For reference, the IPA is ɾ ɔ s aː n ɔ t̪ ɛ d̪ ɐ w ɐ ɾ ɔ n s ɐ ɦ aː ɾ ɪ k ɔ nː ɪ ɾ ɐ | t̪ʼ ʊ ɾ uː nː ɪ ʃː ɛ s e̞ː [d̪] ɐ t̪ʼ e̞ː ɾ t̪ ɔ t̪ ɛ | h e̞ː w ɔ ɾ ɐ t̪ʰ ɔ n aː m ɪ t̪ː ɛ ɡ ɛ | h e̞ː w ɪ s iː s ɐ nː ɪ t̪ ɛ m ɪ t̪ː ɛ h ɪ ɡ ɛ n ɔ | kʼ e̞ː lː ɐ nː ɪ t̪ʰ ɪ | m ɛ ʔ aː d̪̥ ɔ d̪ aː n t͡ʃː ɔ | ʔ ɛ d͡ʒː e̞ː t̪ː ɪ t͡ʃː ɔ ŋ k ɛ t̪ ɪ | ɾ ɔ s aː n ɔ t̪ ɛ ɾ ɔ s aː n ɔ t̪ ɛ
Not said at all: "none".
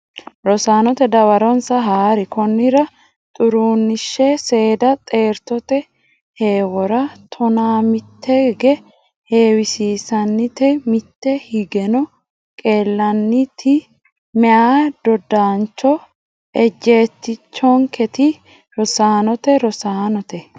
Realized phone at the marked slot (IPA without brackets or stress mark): d̪